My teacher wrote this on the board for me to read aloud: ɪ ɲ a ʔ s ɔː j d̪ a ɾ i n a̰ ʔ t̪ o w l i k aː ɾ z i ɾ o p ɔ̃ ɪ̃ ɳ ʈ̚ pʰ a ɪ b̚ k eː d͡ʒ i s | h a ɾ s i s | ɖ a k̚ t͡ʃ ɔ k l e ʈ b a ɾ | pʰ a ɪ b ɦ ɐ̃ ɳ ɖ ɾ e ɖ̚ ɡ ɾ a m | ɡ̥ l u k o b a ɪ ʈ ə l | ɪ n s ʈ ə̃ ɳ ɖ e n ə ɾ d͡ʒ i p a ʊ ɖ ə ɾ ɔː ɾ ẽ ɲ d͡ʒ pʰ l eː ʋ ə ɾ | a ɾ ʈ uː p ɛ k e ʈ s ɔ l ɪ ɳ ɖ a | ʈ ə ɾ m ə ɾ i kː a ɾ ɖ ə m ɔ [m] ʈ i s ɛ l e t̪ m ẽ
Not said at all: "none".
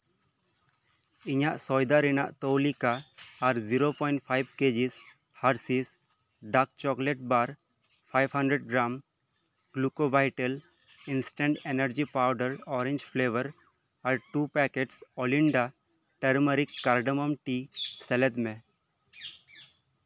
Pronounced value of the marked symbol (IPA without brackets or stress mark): m